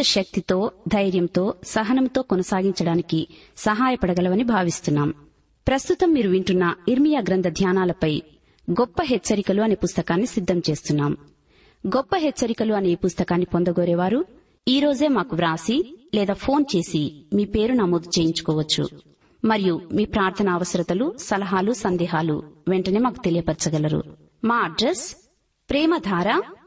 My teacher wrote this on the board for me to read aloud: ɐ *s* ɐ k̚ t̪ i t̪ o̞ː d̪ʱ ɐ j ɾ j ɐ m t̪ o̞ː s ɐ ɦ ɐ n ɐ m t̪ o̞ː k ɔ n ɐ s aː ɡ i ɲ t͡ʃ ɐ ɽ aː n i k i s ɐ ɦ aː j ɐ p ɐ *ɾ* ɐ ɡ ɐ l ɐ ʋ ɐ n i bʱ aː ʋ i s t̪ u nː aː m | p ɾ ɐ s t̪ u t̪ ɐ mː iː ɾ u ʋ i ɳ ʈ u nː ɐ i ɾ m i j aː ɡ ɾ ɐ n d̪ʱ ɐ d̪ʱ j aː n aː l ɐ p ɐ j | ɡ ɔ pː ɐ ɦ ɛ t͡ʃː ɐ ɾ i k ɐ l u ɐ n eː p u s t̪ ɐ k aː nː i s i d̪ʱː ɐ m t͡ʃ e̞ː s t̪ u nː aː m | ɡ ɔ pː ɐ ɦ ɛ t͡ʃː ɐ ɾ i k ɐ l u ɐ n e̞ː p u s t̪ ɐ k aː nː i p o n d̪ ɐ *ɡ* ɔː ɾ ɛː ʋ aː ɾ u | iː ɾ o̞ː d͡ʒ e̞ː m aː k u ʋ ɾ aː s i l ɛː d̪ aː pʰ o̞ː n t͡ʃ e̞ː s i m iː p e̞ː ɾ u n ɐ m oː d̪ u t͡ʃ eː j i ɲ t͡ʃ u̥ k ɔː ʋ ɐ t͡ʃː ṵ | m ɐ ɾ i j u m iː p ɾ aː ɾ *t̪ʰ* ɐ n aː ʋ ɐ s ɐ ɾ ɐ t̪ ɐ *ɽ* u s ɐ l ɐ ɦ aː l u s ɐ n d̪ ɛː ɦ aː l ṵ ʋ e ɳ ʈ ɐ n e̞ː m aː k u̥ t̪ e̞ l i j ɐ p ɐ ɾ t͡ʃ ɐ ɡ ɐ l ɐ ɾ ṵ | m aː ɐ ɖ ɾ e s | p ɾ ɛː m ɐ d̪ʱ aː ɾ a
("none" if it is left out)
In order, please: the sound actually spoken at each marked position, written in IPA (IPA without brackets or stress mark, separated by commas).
ʃ, ɽ, ɡ, t̪ʰ, l